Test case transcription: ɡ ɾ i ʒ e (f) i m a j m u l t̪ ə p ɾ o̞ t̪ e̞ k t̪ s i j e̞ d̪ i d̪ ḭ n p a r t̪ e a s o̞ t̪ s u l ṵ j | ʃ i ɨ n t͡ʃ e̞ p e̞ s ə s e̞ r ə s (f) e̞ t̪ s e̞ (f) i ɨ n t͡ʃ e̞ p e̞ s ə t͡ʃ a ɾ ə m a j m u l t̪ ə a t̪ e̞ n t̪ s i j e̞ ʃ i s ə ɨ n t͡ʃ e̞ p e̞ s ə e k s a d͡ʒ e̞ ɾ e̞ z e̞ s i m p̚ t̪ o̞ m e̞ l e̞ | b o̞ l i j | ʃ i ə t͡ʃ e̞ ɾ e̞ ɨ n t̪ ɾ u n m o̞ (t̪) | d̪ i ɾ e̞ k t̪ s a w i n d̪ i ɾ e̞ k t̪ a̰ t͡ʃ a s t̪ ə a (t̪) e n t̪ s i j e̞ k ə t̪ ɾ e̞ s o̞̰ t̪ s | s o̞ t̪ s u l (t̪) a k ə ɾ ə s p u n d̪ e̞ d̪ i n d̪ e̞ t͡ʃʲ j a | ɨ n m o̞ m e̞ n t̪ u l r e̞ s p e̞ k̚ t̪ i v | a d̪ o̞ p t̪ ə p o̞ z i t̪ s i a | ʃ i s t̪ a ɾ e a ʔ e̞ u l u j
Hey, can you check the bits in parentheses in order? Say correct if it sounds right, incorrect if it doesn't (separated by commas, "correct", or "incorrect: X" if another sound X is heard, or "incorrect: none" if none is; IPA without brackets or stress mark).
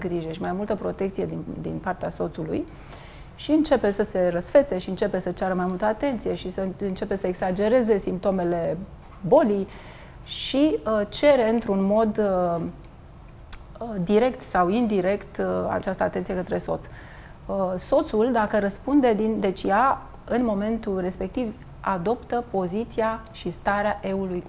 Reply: incorrect: ʃ, correct, incorrect: ʃ, incorrect: d̪, correct, incorrect: d̪